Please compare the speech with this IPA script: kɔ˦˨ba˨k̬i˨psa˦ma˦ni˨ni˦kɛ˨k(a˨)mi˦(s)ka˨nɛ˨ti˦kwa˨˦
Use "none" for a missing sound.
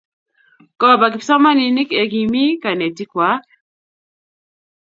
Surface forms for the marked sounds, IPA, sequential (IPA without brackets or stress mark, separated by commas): i˨, none